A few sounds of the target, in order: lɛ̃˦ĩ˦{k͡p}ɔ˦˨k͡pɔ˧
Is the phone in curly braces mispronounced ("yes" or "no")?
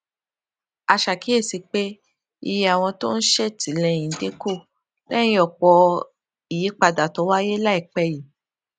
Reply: yes